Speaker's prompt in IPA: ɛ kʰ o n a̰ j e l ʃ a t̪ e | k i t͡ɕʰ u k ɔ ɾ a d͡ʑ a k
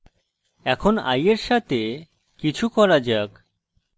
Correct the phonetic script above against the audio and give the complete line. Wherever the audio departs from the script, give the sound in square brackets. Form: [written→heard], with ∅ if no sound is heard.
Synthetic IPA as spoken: ɛ kʰ o n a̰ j e [l→ɾ] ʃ a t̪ e | k i t͡ɕʰ u k ɔ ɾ a d͡ʑ a k